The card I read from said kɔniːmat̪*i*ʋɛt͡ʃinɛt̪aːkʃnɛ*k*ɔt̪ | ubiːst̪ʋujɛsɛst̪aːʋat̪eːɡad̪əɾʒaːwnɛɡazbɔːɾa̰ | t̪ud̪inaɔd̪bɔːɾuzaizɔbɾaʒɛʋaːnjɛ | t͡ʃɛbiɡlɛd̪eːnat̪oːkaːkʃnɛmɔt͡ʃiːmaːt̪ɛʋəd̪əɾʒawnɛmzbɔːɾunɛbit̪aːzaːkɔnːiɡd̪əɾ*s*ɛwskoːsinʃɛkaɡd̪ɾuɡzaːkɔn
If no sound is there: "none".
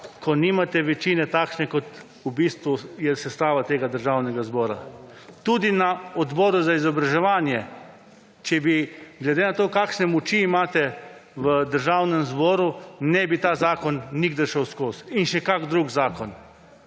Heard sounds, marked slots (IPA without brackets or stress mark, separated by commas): ɛ, k, ʃ